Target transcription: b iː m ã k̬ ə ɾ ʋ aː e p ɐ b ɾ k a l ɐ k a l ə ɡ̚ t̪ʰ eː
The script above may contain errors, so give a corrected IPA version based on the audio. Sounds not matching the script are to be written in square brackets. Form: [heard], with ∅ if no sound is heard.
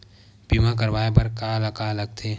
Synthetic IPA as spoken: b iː m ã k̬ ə ɾ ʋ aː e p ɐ [∅] ɾ k a l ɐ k a l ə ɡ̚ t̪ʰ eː